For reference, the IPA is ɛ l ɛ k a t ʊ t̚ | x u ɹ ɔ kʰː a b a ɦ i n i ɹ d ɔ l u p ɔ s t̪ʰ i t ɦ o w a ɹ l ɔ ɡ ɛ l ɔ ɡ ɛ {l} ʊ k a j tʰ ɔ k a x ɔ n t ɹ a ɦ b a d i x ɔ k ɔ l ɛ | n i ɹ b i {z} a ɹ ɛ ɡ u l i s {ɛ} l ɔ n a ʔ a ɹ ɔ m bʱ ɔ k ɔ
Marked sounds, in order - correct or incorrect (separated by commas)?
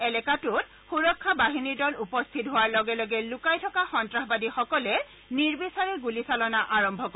correct, incorrect, incorrect